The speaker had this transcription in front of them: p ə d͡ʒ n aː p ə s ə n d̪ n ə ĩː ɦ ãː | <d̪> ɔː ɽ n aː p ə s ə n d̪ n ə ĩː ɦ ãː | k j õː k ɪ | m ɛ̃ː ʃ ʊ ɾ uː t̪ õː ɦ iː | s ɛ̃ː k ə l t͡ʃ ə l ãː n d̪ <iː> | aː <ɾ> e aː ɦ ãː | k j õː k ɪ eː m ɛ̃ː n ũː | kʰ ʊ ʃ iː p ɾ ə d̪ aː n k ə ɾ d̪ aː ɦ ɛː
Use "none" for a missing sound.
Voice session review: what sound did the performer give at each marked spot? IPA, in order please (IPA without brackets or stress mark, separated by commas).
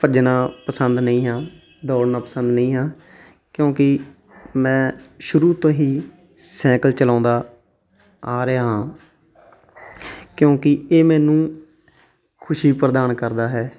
d̪, aː, ɾ